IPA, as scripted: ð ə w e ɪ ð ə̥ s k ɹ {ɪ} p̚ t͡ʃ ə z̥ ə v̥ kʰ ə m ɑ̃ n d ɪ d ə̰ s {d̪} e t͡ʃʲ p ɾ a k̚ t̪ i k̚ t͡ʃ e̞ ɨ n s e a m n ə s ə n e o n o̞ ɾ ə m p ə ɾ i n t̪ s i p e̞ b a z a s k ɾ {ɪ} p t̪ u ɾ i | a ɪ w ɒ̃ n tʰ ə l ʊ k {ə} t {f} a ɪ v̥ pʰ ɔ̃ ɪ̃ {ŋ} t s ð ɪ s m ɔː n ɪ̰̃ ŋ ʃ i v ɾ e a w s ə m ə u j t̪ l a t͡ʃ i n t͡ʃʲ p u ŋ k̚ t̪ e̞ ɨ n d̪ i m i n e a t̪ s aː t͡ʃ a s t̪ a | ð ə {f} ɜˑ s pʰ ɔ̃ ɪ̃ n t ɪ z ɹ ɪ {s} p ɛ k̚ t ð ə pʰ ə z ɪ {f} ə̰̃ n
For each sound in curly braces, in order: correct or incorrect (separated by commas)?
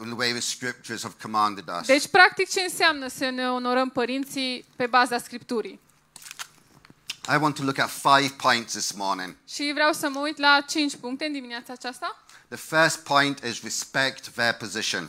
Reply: correct, correct, incorrect, correct, correct, incorrect, correct, correct, incorrect